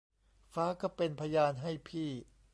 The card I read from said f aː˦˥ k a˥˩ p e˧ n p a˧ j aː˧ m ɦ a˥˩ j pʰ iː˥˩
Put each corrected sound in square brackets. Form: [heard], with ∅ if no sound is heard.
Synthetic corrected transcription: f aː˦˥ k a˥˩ p e˧ n [pʰ] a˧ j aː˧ [n] ɦ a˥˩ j pʰ iː˥˩